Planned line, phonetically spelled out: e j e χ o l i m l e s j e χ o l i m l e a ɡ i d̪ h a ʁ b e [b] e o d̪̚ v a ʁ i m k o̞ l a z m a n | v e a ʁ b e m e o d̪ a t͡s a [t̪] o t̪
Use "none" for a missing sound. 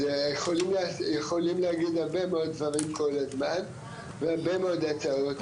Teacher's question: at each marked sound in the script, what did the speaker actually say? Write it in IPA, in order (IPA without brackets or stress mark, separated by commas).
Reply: m, none